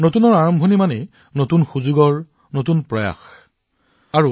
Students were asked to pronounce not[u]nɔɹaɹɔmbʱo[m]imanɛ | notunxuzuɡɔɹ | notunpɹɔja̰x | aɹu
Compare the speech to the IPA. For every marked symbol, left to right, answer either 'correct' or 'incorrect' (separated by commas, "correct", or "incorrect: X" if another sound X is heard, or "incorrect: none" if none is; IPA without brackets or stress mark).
correct, incorrect: n